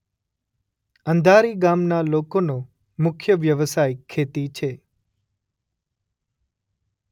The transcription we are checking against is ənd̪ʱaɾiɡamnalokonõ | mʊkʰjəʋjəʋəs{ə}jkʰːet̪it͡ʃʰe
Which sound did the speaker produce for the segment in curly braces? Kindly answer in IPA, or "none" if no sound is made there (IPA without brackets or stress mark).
a